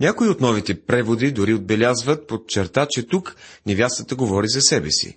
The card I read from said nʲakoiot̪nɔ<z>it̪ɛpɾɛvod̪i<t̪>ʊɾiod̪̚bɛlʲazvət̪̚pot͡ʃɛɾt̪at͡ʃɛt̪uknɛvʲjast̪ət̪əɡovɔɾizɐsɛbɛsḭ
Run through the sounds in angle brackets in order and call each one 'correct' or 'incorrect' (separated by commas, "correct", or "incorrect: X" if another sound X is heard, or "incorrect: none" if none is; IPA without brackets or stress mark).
incorrect: v, incorrect: d̪